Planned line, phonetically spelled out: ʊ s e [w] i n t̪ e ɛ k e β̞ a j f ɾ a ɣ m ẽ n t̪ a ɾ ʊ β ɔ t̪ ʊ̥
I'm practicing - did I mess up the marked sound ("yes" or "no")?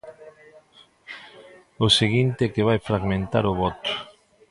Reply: yes